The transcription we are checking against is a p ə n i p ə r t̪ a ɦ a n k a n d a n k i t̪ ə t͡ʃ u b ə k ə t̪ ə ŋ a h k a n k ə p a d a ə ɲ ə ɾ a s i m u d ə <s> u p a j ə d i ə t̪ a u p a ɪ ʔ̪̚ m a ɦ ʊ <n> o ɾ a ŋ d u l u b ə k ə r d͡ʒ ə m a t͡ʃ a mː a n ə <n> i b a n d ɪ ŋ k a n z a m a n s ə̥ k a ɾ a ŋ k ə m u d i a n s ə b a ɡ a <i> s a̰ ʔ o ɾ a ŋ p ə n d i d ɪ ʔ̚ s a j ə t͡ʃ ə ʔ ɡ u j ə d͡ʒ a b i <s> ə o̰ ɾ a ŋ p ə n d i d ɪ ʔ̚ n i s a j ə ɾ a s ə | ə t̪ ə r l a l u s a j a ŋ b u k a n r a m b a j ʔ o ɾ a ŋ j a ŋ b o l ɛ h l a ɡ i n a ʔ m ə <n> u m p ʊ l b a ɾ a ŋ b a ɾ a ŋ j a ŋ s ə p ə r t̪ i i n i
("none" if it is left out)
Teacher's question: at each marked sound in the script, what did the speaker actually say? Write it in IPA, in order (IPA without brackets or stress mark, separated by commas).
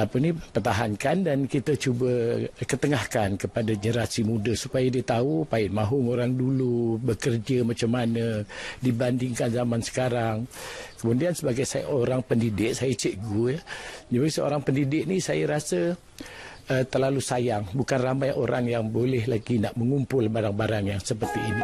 s, ŋ, d, j, s, ŋ